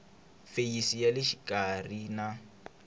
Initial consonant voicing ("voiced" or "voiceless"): voiceless